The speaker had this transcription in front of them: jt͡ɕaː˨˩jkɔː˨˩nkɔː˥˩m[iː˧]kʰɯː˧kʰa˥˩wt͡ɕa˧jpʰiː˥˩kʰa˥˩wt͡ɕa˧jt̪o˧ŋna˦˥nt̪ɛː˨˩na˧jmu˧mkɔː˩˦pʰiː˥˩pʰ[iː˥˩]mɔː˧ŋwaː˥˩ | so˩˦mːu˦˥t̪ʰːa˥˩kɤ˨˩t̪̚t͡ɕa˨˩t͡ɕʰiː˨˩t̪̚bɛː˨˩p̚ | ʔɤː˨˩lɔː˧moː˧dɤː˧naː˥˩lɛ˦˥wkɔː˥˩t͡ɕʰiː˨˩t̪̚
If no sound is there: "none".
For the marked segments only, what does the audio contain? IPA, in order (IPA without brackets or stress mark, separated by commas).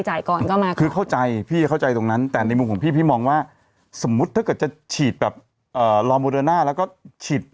aː˧, iː˥˩